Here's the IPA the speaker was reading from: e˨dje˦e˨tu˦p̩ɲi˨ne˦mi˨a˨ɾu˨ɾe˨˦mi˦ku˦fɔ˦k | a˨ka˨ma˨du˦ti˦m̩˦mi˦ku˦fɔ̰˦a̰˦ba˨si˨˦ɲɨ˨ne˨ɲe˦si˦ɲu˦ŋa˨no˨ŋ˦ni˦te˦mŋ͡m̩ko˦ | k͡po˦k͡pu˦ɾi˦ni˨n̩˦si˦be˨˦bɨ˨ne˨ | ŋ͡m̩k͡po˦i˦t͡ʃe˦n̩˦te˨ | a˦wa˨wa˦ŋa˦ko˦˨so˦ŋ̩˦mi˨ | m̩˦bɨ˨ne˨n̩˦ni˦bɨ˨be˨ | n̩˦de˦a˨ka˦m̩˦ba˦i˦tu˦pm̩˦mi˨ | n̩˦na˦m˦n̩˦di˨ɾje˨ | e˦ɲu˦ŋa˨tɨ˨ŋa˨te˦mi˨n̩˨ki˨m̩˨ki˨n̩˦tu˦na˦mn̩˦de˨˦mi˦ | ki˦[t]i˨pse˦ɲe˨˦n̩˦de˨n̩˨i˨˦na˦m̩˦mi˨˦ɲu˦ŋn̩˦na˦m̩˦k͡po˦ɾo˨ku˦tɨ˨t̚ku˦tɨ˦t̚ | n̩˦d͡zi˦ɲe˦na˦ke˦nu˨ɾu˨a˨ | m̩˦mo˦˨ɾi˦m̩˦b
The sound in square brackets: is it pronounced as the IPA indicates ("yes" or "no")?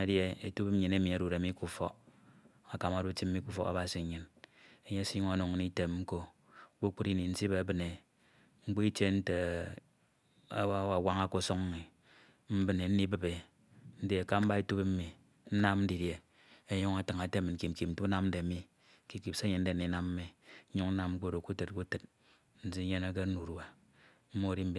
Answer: no